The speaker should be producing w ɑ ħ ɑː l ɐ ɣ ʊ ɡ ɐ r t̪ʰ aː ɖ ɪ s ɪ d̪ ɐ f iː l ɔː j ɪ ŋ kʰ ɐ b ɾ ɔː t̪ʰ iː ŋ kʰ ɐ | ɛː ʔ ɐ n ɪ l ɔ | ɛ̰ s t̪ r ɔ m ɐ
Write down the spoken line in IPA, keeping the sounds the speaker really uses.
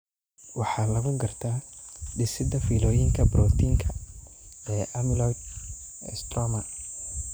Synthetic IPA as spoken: w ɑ ħ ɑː l ɐ ɣ ʊ ɡ ɐ r t̪ʰ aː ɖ ɪ s ɪ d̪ ɐ f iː l ɔː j ɪ ŋ kʰ ɐ b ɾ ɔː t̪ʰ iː ŋ kʰ ɐ | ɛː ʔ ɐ m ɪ l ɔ | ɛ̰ s t̪ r ɔ m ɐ